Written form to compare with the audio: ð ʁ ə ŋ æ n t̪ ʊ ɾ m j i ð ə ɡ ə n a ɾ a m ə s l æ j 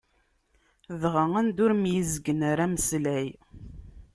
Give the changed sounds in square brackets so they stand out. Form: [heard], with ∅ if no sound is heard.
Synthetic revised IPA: ð ʁ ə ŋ æ n [d̪] ʊ ɾ m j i [z] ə ɡ ə n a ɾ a m ə s l æ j